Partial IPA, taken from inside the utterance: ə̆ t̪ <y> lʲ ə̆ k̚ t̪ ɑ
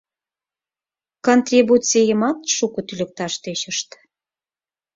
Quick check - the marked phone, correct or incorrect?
correct